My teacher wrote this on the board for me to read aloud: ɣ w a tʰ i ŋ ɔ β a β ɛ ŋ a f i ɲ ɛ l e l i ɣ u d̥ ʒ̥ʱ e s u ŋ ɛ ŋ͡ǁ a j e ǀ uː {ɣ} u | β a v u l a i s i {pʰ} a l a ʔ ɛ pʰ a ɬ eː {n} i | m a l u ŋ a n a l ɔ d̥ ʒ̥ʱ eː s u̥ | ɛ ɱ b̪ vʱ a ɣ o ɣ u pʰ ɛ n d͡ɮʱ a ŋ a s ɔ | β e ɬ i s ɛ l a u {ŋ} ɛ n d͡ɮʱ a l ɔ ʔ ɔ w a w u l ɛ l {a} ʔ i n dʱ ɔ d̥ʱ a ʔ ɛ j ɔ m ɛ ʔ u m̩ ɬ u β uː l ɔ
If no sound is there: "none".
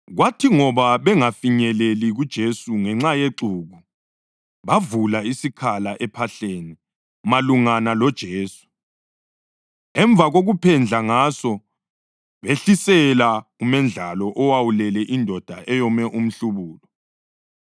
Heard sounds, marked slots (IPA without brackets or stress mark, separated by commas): ɣ, kʰ, n, m, ɛ